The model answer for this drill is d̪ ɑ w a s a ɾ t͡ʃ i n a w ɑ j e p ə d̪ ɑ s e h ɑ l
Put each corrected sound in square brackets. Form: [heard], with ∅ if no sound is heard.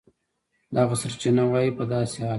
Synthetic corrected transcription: d̪ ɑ [ɣ] a s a ɾ t͡ʃ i n a w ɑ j [i] p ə d̪ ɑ s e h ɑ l